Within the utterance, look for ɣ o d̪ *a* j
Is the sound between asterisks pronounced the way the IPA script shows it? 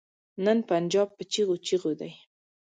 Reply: yes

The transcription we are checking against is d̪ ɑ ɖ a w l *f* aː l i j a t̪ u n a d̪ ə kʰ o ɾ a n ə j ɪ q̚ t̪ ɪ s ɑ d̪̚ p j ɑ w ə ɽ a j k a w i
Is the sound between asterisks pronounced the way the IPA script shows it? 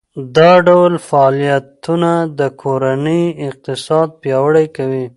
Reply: yes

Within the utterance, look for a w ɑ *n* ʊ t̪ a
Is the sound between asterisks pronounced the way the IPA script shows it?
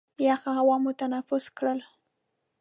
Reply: no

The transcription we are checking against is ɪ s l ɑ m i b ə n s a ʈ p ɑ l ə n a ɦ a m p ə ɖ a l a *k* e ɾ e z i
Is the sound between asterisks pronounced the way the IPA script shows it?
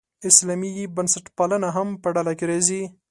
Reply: yes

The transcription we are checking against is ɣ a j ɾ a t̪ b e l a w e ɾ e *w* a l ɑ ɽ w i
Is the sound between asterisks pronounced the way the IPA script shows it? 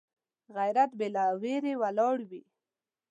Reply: yes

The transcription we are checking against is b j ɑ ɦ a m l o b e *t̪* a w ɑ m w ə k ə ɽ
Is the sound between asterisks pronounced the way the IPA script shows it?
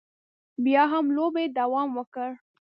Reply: no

